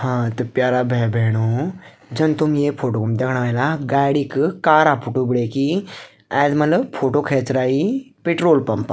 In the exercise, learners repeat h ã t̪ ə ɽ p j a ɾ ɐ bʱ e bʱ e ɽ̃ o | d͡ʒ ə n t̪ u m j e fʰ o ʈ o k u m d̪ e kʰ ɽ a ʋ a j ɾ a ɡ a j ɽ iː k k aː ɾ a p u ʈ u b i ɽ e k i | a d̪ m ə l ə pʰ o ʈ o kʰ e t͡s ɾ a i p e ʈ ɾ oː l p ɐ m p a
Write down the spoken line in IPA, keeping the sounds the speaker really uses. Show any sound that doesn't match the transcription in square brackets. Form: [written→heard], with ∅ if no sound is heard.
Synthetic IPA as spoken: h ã t̪ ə [ɽ→∅] p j a ɾ [ɐ→a] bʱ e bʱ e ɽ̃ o | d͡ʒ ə n t̪ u m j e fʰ o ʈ o k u m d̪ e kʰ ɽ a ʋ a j [ɾ→l] a ɡ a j ɽ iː k k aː ɾ a p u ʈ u b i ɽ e k i | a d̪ m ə l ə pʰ o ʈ o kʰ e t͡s ɾ a i p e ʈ ɾ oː l p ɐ m p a